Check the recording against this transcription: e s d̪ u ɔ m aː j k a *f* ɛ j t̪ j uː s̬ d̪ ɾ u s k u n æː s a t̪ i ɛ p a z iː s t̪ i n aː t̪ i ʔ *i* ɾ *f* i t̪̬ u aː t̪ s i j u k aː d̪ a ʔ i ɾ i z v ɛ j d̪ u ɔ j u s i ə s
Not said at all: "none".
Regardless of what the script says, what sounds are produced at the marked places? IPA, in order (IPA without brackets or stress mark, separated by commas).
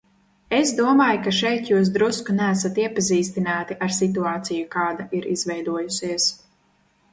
ʃ, a, s